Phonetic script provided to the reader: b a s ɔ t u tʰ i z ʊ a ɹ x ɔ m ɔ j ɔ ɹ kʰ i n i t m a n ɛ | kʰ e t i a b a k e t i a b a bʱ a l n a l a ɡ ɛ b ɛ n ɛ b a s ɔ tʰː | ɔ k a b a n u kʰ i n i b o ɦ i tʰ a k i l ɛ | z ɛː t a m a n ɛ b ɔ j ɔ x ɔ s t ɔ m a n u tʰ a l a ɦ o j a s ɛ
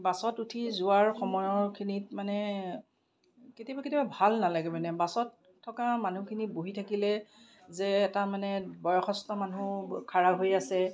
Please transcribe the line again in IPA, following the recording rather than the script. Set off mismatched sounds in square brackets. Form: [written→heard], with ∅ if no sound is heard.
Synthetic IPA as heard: b a s ɔ t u tʰ i z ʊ a ɹ x ɔ m ɔ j ɔ ɹ kʰ i n i t m a n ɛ | [kʰ→k] e t i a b a k e t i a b a bʱ a l n a l a ɡ ɛ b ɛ n ɛ b a s ɔ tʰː | ɔ k a [b→m] a n u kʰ i n i b o ɦ i tʰ a k i l ɛ | z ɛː t a m a n ɛ b ɔ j ɔ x ɔ s t ɔ m a n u [tʰ→kʰ] a [l→ɹ] a ɦ o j a s ɛ